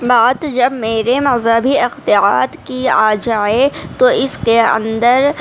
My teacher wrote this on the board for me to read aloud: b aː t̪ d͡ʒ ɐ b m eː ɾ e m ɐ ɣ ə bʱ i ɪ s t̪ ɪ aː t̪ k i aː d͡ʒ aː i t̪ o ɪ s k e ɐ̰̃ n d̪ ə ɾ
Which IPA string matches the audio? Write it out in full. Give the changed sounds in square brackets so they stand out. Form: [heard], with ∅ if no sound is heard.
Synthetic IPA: b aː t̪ d͡ʒ ɐ b m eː ɾ e m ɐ [z] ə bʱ i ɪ [x] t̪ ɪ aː t̪ k i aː d͡ʒ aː [e] t̪ o ɪ s k e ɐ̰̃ n d̪ ə ɾ

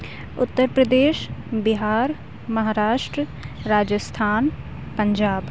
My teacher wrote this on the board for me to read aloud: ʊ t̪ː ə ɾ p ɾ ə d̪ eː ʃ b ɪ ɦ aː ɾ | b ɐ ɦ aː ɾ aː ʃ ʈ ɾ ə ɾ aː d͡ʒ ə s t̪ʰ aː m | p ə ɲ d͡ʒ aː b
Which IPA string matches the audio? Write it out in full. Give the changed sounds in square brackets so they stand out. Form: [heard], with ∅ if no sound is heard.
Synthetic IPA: ʊ t̪ː ə ɾ p ɾ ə d̪ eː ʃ b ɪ ɦ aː ɾ | [m] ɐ ɦ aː ɾ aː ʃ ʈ ɾ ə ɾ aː d͡ʒ ə s t̪ʰ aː [n] | p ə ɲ d͡ʒ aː b

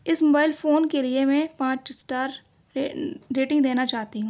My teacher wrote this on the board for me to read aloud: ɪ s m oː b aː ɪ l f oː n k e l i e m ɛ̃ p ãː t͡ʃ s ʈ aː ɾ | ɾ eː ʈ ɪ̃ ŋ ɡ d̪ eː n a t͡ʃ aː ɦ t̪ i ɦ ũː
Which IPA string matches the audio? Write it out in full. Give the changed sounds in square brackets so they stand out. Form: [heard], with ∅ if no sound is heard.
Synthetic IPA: ɪ s m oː b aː ɪ l f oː n k e l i e m ɛ̃ p ãː t͡ʃ s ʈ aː ɾ | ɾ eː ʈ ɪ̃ ŋ ɡ d̪ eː n a t͡ʃ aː ɦ t̪ i ɦ ũː

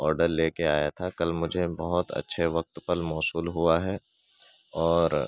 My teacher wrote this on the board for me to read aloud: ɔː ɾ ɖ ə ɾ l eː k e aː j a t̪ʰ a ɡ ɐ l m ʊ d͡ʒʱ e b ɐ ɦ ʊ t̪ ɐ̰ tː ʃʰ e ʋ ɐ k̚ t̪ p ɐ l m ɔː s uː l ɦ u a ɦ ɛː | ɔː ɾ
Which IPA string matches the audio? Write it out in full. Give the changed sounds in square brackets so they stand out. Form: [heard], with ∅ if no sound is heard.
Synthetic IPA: ɔː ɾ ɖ ə ɾ l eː k e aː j a t̪ʰ a [k] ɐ l m ʊ d͡ʒʱ e b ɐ ɦ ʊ t̪ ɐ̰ tː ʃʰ e ʋ ɐ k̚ t̪ p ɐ l m ɔː s uː l ɦ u a ɦ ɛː | ɔː ɾ

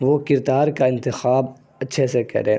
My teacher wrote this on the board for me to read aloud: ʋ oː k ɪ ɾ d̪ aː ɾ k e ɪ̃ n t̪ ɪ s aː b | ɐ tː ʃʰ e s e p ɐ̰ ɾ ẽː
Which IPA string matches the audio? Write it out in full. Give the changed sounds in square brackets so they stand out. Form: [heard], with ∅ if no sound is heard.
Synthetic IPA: ʋ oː k ɪ ɾ d̪ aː ɾ k [a] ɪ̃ n t̪ ɪ [x] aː b | ɐ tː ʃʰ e s e [k] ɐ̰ ɾ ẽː

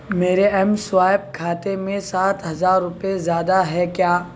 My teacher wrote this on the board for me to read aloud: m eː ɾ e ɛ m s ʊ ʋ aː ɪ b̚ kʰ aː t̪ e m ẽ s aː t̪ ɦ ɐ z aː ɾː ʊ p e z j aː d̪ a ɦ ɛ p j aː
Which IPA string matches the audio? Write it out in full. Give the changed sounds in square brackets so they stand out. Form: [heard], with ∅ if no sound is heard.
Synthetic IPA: m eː ɾ e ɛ m s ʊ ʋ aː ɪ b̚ kʰ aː t̪ e m ẽ s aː t̪ ɦ ɐ z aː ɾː ʊ p e z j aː d̪ a ɦ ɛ [k] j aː

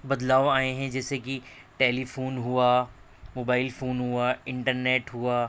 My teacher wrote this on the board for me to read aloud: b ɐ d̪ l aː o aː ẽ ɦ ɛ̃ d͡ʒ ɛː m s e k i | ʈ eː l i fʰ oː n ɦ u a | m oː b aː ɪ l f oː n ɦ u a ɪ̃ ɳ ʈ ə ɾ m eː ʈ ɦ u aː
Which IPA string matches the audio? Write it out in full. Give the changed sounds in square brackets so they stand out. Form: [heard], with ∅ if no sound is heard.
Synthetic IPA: b ɐ d̪ l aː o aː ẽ ɦ ɛ̃ d͡ʒ ɛː [∅] s e k i | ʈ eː l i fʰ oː n ɦ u a | m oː b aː ɪ l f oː n ɦ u a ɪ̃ ɳ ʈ ə ɾ [n] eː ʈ ɦ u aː

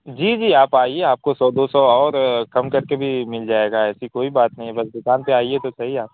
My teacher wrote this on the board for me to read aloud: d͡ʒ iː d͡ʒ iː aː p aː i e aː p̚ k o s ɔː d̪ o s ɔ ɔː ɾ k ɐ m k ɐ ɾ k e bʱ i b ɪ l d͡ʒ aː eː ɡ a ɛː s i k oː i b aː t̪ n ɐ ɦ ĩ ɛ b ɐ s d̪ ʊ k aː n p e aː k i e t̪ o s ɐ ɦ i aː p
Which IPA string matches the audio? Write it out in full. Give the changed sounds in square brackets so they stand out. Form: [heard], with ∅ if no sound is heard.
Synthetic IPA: d͡ʒ iː d͡ʒ iː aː p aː i e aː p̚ k o s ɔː d̪ o s ɔ ɔː ɾ k ɐ m k ɐ ɾ k e bʱ i [m] ɪ l d͡ʒ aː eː ɡ a ɛː s i k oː i b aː t̪ n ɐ ɦ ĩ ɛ b ɐ s d̪ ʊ k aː n p e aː [∅] i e t̪ o s ɐ ɦ i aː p

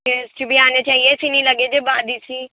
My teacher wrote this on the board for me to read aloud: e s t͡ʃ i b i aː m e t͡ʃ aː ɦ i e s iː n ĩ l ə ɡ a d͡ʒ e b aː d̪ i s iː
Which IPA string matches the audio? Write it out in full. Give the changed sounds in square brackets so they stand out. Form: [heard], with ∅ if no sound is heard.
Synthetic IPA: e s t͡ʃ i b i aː [n] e t͡ʃ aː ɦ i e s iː n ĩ l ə ɡ [e] d͡ʒ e b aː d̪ i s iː

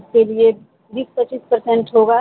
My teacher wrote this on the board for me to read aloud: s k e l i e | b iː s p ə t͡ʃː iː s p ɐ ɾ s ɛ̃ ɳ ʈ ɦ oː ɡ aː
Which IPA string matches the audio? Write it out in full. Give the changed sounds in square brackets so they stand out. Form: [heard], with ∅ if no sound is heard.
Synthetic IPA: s k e l i e | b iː s p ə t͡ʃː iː s p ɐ ɾ s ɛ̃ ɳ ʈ ɦ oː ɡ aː

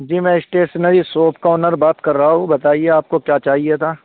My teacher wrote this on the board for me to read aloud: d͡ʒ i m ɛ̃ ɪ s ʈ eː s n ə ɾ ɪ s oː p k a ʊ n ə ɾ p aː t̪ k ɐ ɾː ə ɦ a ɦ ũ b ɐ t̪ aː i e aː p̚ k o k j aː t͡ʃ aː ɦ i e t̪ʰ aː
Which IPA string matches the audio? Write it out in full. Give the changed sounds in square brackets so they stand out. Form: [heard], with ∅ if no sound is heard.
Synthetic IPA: d͡ʒ [iː] m ɛ̃ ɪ s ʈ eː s n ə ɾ [i] s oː p k a ʊ n ə ɾ [b] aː t̪ k ɐ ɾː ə ɦ a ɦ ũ b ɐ t̪ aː i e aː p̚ k o k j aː t͡ʃ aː ɦ i e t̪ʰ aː

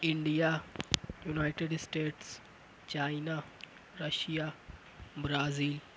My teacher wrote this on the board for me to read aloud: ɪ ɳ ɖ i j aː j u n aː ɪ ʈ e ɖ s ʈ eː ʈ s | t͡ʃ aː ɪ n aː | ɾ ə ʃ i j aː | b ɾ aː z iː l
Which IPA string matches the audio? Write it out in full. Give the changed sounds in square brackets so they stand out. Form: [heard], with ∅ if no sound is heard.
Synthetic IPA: ɪ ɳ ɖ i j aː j u n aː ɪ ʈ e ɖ s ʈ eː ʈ s | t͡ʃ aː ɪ n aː | ɾ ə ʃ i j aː | b ɾ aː z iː l

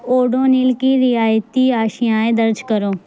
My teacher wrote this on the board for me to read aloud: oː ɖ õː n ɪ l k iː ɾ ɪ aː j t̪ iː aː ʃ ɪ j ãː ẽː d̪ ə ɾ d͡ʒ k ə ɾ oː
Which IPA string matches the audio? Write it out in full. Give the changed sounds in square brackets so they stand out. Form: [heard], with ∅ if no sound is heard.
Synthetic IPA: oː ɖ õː n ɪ l k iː ɾ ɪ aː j t̪ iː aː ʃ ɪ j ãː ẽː d̪ ə ɾ d͡ʒ k ə ɾ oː

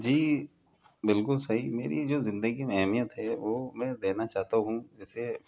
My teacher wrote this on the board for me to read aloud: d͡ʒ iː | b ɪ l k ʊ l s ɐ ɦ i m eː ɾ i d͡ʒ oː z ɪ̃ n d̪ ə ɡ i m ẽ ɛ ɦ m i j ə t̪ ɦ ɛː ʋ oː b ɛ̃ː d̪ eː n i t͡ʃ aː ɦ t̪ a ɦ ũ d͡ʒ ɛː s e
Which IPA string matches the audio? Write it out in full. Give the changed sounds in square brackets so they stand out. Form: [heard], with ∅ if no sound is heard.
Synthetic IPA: d͡ʒ iː | b ɪ l k ʊ l s ɐ ɦ i m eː ɾ i d͡ʒ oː z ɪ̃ n d̪ ə ɡ i m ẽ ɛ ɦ m i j ə t̪ ɦ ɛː ʋ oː [m] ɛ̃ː d̪ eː n [a] t͡ʃ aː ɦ t̪ a ɦ ũ d͡ʒ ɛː s e

